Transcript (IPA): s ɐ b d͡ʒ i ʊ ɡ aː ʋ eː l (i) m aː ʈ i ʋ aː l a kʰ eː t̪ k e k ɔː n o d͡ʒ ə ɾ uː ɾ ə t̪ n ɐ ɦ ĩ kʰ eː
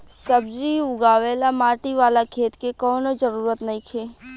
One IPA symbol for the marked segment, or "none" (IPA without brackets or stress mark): a